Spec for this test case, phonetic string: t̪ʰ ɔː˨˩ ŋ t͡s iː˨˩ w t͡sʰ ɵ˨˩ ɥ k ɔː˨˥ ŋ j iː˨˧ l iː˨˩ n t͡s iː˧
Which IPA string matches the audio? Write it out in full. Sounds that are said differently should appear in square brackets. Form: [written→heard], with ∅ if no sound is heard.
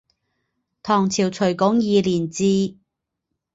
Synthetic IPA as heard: t̪ʰ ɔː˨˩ ŋ [t͡s→t͡sʰ] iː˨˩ w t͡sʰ ɵ˨˩ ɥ k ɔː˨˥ ŋ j iː˨˧ l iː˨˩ n t͡s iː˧